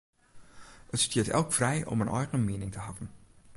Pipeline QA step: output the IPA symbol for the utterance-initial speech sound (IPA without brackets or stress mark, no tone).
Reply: ə